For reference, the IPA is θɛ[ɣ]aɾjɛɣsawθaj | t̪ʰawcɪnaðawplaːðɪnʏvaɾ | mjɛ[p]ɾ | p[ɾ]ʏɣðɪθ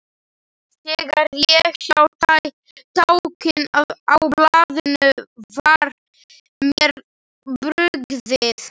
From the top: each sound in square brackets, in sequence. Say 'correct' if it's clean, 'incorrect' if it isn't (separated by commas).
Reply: correct, incorrect, correct